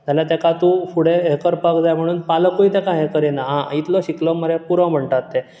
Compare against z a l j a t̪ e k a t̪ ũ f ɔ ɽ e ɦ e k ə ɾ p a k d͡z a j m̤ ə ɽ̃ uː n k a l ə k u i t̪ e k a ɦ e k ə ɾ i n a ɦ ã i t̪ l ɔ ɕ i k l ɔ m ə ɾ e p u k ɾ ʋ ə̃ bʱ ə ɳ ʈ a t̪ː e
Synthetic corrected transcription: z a l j a t̪ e k a t̪ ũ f u ɽ e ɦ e k ə ɾ p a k d͡z a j m̤ ə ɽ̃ uː n p a l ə k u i t̪ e k a ɦ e k ə ɾ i n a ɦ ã i t̪ l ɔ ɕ i k l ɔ m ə ɾ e p u ɾ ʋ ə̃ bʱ ə ɳ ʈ a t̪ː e